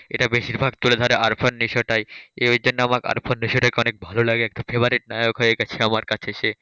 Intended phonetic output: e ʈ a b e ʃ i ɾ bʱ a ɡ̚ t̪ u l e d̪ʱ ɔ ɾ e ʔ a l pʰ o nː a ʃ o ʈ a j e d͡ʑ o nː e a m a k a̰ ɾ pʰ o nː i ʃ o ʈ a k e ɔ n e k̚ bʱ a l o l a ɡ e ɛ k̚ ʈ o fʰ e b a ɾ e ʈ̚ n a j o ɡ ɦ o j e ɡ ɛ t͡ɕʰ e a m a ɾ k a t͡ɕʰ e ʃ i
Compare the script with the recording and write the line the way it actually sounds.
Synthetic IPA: e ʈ a b e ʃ i ɾ bʱ a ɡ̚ t̪ u l e d̪ʱ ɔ ɾ e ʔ a ɾ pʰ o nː i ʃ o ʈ a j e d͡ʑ o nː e a m a k a̰ ɾ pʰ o nː i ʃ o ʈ a k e ɔ n e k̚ bʱ a l o l a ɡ e ɛ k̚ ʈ o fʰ e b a ɾ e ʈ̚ n a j o k ɦ o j e ɡ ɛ t͡ɕʰ e a m a ɾ k a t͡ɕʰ e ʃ e